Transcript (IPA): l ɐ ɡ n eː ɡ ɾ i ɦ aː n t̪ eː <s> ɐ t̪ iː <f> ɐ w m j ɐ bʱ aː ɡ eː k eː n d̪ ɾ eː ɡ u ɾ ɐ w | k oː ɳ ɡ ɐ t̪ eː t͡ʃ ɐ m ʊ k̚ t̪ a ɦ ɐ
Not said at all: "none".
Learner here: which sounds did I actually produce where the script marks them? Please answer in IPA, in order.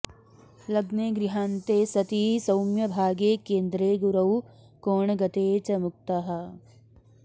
s, s

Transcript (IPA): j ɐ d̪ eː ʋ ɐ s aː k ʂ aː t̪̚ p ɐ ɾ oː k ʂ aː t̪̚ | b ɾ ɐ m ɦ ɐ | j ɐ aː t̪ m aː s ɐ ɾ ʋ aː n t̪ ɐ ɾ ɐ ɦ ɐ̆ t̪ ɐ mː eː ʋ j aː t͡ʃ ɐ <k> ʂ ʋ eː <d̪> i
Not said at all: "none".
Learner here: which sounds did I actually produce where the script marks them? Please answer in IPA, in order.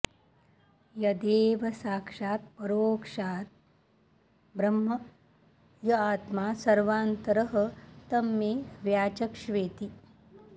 k, t̪

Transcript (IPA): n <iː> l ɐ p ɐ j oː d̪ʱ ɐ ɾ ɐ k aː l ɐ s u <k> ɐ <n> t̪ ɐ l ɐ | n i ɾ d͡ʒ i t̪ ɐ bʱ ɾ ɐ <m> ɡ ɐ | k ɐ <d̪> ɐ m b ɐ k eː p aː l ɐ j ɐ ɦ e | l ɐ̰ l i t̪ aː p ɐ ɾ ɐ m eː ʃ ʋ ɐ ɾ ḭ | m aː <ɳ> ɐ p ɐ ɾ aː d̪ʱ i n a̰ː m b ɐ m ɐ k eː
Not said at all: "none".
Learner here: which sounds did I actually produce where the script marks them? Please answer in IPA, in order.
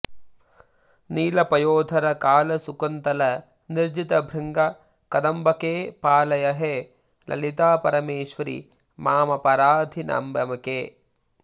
iː, k, n, ŋ, d̪, m

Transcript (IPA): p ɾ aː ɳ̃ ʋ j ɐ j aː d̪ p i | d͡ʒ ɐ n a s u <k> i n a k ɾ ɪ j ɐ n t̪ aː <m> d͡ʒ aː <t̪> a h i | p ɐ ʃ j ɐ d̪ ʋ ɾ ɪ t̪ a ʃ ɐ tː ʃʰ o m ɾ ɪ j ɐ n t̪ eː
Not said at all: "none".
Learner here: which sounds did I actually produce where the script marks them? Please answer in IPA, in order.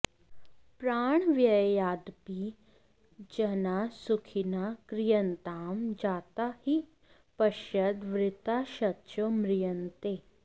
kʰ, m, t̪

